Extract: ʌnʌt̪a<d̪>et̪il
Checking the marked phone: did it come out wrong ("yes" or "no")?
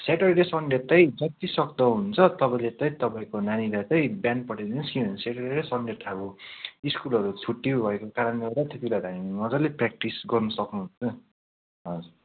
yes